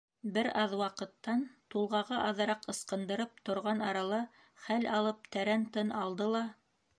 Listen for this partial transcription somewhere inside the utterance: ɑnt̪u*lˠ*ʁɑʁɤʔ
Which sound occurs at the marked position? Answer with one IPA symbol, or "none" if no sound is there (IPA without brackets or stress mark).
lˠ